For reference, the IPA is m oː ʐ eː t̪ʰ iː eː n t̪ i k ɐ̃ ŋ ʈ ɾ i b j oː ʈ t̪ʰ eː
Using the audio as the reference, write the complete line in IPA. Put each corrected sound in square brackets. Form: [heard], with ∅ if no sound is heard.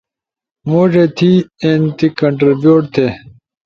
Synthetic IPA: m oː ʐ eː t̪ʰ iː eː n t̪ i k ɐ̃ [ɳ] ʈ ɾ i b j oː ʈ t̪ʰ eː